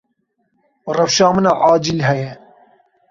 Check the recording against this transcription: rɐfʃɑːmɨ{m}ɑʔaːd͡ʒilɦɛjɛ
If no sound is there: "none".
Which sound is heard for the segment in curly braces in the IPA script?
n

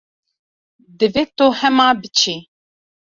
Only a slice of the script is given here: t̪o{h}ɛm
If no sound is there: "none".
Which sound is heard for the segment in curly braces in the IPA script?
h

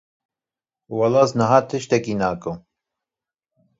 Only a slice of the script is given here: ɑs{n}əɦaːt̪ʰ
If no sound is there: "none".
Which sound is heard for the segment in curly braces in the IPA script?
n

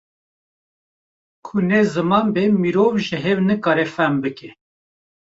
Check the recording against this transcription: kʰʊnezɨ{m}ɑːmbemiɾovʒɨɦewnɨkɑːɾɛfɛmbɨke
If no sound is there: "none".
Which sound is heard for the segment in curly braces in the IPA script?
m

